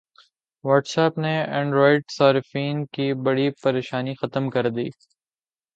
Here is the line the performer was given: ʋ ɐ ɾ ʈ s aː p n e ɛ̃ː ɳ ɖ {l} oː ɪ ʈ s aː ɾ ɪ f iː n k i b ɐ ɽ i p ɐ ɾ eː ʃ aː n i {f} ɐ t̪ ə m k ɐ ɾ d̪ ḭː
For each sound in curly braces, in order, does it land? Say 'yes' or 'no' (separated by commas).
no, no